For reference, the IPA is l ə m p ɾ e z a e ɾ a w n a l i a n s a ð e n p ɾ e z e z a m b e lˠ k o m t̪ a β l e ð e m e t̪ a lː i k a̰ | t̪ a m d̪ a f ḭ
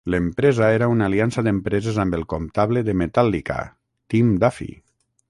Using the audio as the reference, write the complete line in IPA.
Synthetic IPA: l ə m p ɾ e z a e ɾ a u n a l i a n s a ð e m p ɾ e z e z a m b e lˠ k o m t̪ a β l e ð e m e t̪ a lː i k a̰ | t̪ i m d̪ a f ḭ